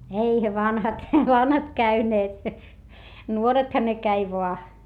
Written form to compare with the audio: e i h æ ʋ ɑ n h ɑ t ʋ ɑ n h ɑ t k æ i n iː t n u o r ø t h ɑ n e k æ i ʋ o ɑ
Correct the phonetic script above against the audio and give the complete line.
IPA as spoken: e i h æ ʋ ɑ n h ɑ t ʋ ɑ n h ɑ t k æ y n eː t n u o r e t h ɑ n e k æ i ʋ o ɑ